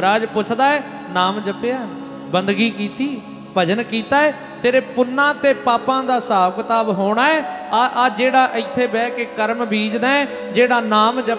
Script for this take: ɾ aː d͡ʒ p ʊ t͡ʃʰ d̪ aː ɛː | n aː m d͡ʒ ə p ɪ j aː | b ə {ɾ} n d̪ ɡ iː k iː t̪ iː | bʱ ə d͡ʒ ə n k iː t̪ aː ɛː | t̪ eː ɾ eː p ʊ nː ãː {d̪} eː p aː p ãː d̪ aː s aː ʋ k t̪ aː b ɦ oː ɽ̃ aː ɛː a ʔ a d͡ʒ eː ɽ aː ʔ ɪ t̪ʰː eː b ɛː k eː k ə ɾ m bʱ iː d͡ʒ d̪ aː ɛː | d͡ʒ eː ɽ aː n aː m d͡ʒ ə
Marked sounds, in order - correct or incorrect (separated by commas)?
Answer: incorrect, incorrect